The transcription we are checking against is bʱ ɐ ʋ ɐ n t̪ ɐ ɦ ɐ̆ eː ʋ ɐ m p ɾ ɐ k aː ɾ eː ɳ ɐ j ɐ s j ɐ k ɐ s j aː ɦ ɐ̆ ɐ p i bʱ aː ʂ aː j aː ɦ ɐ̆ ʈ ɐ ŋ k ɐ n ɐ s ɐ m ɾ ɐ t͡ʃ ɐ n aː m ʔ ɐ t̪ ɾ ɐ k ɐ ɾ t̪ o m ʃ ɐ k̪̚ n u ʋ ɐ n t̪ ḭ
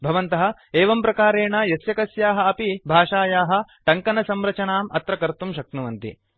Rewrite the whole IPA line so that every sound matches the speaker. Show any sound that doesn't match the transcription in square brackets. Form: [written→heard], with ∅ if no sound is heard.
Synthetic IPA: bʱ ɐ ʋ ɐ n t̪ ɐ ɦ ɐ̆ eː ʋ ɐ m p ɾ ɐ k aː ɾ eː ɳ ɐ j ɐ s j ɐ k ɐ s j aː ɦ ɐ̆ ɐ p i bʱ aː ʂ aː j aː ɦ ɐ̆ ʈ ɐ ŋ k ɐ n ɐ s ɐ m ɾ ɐ t͡ʃ ɐ n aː m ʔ ɐ t̪ ɾ ɐ k ɐ ɾ t̪ [o→u] m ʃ ɐ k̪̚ n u ʋ ɐ n t̪ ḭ